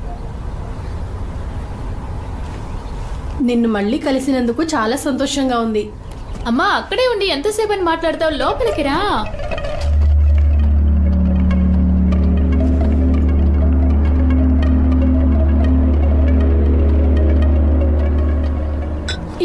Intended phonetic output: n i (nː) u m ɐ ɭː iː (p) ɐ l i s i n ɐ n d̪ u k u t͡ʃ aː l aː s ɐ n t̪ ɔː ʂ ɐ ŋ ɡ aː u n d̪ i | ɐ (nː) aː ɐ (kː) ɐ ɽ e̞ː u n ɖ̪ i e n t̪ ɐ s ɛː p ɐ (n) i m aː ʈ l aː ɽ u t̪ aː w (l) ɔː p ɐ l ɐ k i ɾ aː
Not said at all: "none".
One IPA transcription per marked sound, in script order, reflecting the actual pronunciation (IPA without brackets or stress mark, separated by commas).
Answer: nː, k, mː, kː, n, l